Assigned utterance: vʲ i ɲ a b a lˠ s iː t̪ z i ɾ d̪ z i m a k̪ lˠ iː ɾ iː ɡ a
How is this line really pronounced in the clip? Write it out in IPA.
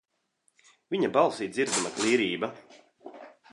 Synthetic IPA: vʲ i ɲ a b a lˠ s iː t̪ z i ɾ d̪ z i m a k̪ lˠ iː ɾ iː b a